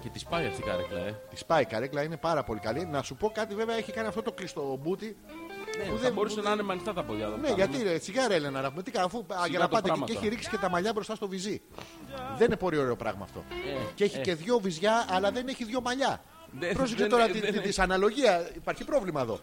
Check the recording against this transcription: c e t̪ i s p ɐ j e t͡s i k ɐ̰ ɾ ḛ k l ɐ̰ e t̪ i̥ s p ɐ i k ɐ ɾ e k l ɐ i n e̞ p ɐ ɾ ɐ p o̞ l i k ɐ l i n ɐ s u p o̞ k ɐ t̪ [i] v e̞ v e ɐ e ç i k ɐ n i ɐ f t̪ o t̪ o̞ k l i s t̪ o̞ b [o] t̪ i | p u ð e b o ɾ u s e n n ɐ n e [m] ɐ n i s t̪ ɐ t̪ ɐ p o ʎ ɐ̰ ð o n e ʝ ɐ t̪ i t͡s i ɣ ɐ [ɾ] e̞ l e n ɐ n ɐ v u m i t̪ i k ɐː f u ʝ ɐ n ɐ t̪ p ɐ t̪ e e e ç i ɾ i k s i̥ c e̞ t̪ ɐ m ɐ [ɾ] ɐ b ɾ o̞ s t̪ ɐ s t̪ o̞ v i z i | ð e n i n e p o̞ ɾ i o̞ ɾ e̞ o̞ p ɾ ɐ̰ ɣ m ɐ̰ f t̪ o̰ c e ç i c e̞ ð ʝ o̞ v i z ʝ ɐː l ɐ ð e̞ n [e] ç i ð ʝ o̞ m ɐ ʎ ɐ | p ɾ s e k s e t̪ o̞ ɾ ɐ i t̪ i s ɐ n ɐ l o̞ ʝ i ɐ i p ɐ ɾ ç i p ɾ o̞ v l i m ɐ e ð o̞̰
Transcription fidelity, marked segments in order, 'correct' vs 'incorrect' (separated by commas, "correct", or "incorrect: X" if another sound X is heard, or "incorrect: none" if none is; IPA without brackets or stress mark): correct, incorrect: u, correct, correct, incorrect: ʎ, correct